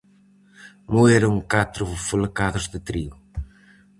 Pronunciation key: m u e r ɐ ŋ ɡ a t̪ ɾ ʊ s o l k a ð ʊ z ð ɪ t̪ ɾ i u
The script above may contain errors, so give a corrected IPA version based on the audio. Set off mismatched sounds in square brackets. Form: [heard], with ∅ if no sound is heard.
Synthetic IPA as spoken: m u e [ɾ] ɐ ŋ [k] a t̪ ɾ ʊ [f] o l k a ð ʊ z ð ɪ t̪ ɾ i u

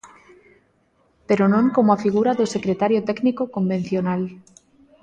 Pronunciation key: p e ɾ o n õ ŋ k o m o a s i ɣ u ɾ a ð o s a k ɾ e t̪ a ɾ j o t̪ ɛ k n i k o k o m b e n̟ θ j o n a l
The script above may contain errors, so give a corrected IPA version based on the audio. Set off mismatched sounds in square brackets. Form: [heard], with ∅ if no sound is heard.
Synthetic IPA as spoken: p e ɾ o n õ ŋ k o m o a [f] i ɣ u ɾ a ð o s [e] k ɾ e t̪ a ɾ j o t̪ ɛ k n i k o k o m b e n̟ θ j o n a l

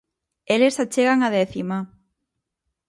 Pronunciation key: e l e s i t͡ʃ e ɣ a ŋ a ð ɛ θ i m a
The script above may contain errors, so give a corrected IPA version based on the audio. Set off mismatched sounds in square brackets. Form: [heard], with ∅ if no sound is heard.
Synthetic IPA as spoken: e l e s [a] t͡ʃ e ɣ a ŋ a ð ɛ θ i m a

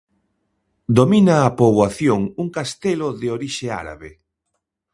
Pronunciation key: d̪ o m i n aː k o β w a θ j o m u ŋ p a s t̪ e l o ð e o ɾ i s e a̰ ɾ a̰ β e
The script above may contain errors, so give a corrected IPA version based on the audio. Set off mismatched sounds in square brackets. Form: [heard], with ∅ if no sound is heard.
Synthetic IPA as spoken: d̪ o m i n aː [p] o β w a θ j o [ŋ] u ŋ [k] a s t̪ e l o ð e o ɾ i [ʃ] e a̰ ɾ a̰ β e

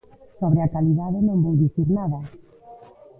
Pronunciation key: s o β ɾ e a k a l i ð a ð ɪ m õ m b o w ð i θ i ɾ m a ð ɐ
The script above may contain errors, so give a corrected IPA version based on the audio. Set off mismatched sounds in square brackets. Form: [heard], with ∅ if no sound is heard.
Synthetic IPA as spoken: s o β ɾ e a k a l i ð a ð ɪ [n] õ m b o w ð i θ i ɾ [n] a ð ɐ

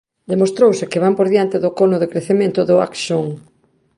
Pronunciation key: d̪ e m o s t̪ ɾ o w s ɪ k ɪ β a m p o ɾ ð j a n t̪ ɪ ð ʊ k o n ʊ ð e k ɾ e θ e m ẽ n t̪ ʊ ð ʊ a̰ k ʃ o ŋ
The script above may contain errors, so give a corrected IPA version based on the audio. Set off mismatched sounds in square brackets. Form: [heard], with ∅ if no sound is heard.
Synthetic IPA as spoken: d̪ e m o s t̪ ɾ o w s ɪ k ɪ β a m p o ɾ ð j a n t̪ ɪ ð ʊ k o n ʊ ð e k ɾ e θ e m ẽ n t̪ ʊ ð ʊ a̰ k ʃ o ŋ

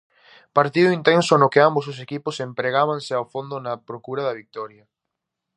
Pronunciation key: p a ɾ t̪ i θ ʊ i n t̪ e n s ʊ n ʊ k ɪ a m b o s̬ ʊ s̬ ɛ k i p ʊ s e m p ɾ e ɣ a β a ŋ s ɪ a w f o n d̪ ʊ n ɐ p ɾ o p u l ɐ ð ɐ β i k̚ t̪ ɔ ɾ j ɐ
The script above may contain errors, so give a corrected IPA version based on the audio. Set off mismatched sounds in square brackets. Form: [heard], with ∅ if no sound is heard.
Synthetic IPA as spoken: p a ɾ t̪ i [ð] ʊ i n t̪ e n s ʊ n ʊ k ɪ a m b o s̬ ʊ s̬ [e] k i p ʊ s e m p ɾ e ɣ a β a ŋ s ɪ a w f o n d̪ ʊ n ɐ p ɾ o [k] u [ɾ] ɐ ð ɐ β i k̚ t̪ ɔ ɾ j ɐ

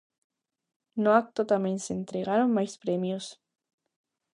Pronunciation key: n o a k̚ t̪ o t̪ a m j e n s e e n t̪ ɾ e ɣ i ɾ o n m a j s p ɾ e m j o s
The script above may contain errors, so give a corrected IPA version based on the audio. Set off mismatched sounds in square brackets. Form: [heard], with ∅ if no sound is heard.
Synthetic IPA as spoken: n o a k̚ t̪ o t̪ a m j e n s e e n t̪ ɾ e ɣ [a] ɾ o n m a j s p ɾ e m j o s

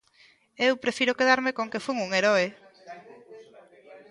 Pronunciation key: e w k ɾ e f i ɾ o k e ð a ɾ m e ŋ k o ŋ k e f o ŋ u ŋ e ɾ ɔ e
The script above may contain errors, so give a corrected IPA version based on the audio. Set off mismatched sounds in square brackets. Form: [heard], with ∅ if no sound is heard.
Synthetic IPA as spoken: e w [p] ɾ e f i ɾ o k e ð a ɾ m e [∅] k o ŋ k e f [u] ŋ u ŋ e ɾ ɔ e

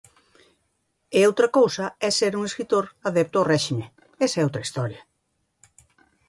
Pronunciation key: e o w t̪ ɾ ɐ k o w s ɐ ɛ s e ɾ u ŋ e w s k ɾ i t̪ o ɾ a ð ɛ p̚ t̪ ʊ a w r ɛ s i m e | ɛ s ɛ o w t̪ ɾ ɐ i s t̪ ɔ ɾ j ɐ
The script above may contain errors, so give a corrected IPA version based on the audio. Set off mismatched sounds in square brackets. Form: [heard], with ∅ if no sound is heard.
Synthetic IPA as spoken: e o w t̪ ɾ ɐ k o w s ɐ ɛ s e ɾ u ŋ e [∅] s k ɾ i t̪ o ɾ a ð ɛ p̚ t̪ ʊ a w r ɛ [ʃ] i m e | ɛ s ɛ o w t̪ ɾ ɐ i s t̪ ɔ ɾ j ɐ

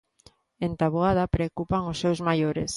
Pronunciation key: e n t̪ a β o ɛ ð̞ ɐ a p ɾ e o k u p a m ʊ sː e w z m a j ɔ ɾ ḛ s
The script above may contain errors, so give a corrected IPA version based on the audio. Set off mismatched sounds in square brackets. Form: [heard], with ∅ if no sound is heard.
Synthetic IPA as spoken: e n t̪ a β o [a] ð̞ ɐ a p ɾ e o k u p a [ŋ] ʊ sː e w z m a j [o] ɾ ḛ s

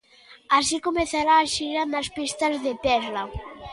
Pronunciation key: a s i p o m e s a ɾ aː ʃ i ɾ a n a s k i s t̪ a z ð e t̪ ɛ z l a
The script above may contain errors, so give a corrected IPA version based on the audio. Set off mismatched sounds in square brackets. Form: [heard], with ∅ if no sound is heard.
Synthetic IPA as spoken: a s i [k] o m e [θ] a ɾ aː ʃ i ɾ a n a s [p] i s t̪ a z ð e t̪ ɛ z l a

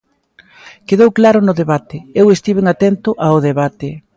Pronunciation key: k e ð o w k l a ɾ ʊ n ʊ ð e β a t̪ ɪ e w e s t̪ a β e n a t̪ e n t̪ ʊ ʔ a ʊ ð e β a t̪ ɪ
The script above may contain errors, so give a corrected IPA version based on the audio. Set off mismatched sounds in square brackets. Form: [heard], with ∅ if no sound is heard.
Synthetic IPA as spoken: k e ð o w k l a ɾ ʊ n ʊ ð e β a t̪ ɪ e w e s t̪ [i] β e [ŋ] a t̪ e n t̪ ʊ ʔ a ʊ ð e β a t̪ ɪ

